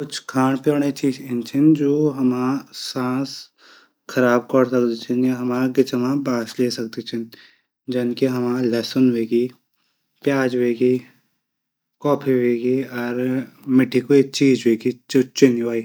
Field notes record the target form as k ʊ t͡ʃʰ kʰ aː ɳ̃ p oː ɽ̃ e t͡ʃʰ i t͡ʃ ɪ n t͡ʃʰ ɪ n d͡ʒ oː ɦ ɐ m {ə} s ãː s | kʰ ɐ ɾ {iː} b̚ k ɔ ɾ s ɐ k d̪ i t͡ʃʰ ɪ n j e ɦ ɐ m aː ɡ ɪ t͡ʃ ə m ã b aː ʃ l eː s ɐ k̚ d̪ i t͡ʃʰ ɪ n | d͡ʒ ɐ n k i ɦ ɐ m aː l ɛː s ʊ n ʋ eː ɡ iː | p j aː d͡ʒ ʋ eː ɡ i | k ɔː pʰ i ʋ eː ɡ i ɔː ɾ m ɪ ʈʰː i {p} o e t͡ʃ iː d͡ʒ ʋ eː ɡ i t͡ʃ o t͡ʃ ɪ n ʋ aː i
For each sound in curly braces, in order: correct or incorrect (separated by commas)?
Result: incorrect, incorrect, incorrect